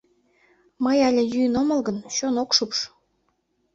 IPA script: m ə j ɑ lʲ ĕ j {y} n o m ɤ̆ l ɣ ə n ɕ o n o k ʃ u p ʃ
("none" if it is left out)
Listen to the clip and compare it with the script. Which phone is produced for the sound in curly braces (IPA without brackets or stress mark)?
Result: y